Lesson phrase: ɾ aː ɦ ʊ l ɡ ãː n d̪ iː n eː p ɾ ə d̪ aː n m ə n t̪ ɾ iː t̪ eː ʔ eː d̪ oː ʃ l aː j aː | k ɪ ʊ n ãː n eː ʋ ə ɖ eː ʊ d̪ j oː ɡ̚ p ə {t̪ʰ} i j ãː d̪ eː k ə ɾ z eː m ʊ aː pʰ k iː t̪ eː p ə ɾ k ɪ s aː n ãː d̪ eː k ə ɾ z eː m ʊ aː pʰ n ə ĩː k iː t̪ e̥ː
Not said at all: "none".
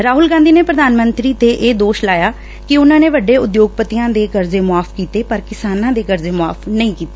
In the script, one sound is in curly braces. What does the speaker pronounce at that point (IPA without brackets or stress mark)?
t̪